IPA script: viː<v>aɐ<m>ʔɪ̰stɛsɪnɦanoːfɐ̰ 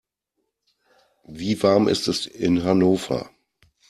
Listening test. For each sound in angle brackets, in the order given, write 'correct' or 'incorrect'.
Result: correct, correct

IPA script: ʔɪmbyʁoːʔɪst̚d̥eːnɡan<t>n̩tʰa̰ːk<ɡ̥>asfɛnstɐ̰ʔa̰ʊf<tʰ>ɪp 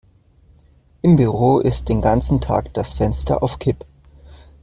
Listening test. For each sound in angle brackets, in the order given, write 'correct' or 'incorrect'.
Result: incorrect: t͡s, incorrect: d̥, incorrect: kʰ

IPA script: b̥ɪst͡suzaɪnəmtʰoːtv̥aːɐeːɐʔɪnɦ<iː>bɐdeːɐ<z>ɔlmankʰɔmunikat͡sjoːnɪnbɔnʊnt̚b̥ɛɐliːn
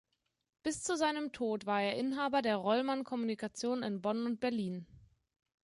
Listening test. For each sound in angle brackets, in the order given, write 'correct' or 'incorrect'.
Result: incorrect: aː, incorrect: ʁ

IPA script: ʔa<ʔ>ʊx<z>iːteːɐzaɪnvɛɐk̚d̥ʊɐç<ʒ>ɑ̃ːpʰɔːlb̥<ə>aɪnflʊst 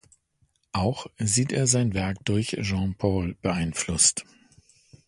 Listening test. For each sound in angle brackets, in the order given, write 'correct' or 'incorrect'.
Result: incorrect: none, correct, correct, correct

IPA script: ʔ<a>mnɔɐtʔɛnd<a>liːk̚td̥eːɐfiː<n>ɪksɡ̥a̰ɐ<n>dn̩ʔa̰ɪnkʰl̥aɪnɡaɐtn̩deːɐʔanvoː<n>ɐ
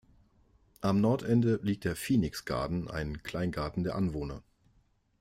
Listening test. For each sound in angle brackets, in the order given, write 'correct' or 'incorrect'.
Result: correct, incorrect: ə, correct, incorrect: none, correct

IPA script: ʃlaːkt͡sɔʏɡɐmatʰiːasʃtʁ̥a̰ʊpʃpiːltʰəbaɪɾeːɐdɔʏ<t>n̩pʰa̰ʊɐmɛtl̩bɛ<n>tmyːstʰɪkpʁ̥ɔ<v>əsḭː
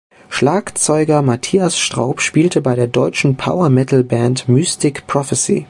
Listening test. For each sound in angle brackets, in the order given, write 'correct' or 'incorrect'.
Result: incorrect: t͡ʃ, correct, incorrect: f

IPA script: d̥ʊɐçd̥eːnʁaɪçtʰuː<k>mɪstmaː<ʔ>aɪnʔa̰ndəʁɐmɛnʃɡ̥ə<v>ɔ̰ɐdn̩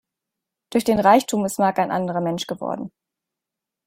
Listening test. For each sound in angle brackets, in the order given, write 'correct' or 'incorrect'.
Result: incorrect: none, incorrect: k, correct

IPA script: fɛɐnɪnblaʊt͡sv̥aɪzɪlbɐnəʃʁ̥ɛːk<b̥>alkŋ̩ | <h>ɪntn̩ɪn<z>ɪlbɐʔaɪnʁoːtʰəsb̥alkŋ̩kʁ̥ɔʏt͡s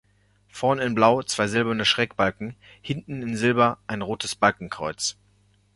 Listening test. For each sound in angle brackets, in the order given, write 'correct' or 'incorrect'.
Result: correct, correct, correct

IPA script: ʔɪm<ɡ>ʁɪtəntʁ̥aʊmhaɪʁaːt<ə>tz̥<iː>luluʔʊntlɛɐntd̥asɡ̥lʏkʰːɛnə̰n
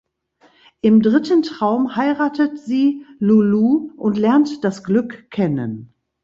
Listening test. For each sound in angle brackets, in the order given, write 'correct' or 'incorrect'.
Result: incorrect: d, correct, correct

